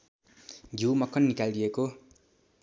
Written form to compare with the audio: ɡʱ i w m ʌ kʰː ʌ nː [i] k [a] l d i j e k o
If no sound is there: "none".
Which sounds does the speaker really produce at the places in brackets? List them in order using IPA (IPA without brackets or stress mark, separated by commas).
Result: i, a